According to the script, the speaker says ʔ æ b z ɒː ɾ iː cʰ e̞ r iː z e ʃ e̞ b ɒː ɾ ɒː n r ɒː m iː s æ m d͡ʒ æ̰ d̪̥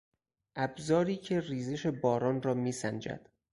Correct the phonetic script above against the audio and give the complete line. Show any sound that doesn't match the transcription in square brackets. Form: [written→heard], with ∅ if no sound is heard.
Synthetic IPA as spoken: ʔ æ b z ɒː ɾ iː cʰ e̞ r iː z e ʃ e̞ b ɒː ɾ ɒː n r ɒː m iː s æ [m→n] d͡ʒ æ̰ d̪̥

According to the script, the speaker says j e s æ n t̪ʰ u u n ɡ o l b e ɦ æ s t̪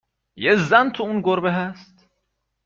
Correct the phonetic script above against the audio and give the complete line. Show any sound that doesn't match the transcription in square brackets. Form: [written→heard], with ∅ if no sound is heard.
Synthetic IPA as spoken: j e [s→z] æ n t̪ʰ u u n ɡ o [l→ɾ] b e ɦ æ s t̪

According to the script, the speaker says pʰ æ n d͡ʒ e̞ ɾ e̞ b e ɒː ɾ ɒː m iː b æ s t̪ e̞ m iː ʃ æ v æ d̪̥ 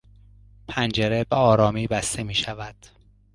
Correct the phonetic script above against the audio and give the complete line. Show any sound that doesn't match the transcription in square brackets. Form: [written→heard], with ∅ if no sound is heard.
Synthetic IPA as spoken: pʰ æ n d͡ʒ e̞ ɾ e̞ b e ɒː ɾ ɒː m iː b æ s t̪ e̞ m iː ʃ æ v æ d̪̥

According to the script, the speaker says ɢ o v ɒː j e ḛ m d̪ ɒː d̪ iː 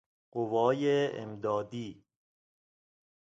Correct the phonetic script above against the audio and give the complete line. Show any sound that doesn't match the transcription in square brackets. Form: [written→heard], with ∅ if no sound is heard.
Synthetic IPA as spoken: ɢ o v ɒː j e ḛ m d̪ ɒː d̪ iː

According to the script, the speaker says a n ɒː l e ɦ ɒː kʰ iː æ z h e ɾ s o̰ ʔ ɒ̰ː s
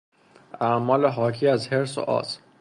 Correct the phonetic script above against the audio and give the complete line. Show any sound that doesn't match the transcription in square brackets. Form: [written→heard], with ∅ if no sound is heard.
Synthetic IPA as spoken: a [n→m] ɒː l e ɦ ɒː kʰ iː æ z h e ɾ s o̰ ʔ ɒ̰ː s

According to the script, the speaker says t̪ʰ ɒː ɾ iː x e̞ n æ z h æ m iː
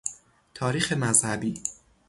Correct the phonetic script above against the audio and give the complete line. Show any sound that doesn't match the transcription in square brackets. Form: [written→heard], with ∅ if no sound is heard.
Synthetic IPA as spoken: t̪ʰ ɒː ɾ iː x e̞ [n→m] æ z h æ [m→b] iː

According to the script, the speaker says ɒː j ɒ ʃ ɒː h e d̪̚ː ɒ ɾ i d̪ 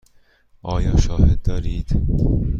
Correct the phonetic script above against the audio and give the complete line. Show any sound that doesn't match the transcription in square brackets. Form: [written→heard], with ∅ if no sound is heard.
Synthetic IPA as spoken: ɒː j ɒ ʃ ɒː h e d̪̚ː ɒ ɾ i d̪

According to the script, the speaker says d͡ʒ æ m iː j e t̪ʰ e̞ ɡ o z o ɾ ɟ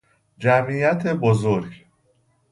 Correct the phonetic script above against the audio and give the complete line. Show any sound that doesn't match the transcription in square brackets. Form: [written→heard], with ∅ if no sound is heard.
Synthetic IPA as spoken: d͡ʒ æ m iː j [e→æ] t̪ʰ e̞ [ɡ→b] o z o ɾ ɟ

